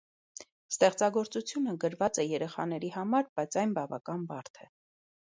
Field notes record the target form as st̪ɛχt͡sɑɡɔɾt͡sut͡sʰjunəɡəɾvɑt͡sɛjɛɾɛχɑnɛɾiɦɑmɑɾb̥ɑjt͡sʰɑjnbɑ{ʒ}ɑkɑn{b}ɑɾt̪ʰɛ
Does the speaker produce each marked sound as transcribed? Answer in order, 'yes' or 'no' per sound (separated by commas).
no, yes